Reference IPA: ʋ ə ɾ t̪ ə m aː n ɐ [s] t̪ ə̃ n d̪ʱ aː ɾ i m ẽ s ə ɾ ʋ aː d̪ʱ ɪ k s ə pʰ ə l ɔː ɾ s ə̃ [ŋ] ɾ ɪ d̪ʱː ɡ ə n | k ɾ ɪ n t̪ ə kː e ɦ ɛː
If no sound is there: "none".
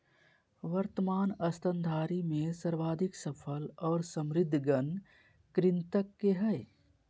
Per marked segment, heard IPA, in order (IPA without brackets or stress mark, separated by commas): s, m